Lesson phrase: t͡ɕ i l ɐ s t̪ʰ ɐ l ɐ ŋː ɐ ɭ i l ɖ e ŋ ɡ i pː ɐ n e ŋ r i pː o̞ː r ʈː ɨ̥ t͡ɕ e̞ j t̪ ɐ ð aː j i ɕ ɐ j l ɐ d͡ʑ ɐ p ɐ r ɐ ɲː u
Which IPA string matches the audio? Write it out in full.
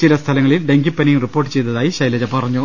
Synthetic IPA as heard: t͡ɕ i l ɐ s t̪ʰ ɐ l ɐ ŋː ɐ ɭ i l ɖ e ŋ ɡ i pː ɐ n i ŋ r i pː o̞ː r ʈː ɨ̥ t͡ɕ e̞ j t̪ ɐ ð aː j i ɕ ɐ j l ɐ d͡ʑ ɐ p ɐ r ɐ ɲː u